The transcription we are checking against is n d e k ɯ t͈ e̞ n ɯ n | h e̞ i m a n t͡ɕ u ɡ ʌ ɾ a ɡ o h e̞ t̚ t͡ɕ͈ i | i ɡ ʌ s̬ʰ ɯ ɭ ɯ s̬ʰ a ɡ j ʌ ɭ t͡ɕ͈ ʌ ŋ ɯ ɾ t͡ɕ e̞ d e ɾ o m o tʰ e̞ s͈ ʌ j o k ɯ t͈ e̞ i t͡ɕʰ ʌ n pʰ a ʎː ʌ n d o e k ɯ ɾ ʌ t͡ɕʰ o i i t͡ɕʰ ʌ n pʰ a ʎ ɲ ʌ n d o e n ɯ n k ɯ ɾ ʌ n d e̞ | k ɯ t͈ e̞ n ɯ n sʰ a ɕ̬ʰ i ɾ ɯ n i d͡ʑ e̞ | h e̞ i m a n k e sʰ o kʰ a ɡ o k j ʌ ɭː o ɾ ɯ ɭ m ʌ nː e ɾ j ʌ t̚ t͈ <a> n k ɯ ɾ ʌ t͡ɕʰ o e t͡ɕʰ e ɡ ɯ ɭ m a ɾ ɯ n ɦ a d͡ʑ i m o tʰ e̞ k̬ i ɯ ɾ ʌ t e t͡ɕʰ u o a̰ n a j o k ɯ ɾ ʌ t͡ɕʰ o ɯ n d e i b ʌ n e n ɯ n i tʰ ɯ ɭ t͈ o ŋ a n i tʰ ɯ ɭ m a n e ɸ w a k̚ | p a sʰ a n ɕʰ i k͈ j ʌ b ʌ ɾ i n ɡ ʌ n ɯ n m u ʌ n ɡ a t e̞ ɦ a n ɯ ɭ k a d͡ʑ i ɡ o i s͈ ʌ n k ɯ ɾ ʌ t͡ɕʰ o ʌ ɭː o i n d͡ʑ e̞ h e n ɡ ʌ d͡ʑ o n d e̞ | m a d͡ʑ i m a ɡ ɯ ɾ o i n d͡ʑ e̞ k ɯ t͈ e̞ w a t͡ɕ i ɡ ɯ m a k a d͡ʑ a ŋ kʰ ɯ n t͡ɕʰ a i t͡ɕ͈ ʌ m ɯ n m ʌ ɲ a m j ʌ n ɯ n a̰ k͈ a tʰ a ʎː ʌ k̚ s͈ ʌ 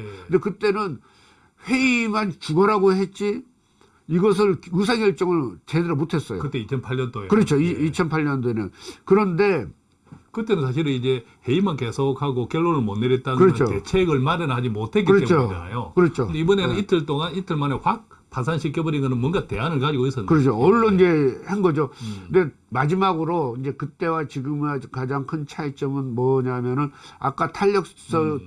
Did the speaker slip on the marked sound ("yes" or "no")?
no